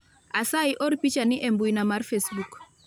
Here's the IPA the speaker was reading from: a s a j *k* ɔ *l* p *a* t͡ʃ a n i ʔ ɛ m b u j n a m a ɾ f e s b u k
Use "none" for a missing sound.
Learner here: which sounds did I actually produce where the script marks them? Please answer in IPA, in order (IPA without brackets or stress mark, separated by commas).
ʔ, ɾ, i